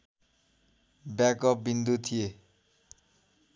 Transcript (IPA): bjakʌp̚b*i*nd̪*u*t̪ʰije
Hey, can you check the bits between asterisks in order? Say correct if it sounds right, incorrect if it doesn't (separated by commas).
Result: correct, correct